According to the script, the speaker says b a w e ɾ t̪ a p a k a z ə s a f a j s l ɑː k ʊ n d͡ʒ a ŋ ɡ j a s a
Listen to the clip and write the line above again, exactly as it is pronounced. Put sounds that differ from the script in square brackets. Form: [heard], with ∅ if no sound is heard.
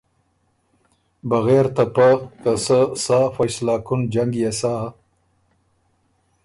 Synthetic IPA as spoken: b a [ɣ] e ɾ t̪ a p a k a [s] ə s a f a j s l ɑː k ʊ n d͡ʒ a ŋ ɡ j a s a